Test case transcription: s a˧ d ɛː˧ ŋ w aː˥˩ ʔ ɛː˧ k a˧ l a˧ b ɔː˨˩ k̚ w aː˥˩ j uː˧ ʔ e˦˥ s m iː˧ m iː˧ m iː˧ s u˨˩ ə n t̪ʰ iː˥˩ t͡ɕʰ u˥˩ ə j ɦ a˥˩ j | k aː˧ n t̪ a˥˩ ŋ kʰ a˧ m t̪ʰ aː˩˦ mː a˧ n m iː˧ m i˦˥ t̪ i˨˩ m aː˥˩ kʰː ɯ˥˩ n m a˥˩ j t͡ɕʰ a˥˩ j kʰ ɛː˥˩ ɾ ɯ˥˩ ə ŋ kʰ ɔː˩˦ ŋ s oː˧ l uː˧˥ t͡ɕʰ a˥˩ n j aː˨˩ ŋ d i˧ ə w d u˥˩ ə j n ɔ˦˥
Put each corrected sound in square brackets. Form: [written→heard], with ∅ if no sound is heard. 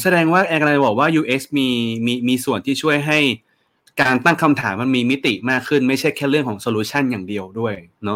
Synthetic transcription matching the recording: s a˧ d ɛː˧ ŋ w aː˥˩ ʔ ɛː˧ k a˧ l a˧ b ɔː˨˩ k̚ w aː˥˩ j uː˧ ʔ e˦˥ s m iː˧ m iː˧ m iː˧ s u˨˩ ə n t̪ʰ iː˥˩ t͡ɕʰ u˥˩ ə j ɦ a˥˩ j | k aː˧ n t̪ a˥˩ ŋ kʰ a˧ m t̪ʰ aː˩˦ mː a˧ n m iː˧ m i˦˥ t̪ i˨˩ m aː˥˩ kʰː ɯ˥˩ n m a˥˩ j t͡ɕʰ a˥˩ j kʰ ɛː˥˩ ɾ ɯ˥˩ ə ŋ kʰ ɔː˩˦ ŋ s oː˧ l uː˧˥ t͡ɕʰ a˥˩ n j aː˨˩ ŋ d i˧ ə w d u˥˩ ə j n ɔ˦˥